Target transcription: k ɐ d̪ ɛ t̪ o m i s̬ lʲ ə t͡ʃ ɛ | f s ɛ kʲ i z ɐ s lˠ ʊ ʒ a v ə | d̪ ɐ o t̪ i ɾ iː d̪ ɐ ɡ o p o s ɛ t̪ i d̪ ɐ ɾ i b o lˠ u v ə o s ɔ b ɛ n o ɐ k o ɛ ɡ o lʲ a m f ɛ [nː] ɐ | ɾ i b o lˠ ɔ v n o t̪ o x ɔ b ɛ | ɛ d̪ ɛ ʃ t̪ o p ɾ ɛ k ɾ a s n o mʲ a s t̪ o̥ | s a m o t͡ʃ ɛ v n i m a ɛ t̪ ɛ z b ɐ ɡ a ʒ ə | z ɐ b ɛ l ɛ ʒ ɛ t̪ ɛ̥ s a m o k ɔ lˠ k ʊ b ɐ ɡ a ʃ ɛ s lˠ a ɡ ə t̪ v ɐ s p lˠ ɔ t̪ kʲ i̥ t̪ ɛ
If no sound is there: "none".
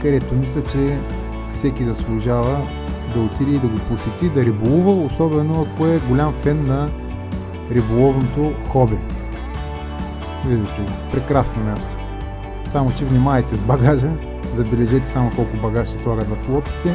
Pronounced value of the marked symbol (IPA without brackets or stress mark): nː